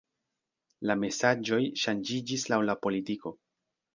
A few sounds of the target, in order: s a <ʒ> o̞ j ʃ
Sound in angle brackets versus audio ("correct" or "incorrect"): incorrect